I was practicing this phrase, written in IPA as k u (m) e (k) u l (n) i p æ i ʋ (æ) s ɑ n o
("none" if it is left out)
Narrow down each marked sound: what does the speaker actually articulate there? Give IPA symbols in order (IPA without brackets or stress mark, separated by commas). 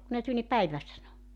n, t, n, æ